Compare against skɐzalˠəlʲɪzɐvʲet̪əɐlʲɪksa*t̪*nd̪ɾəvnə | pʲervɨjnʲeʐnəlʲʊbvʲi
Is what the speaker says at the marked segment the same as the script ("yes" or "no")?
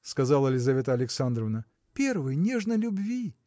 no